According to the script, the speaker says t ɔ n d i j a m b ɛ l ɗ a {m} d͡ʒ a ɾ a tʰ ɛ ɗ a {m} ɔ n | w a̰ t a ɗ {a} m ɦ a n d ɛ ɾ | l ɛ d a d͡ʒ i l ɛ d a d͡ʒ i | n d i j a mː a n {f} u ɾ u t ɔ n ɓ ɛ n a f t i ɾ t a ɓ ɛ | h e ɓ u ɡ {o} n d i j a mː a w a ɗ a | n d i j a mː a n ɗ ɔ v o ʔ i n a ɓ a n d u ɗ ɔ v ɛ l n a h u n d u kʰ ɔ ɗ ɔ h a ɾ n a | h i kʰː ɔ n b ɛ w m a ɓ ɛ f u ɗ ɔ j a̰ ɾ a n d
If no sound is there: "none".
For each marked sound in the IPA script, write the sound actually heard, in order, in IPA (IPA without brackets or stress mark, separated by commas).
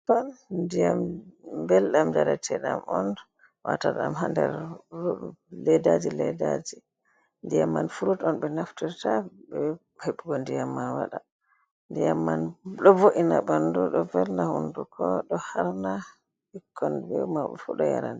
m, m, a, f, ɔ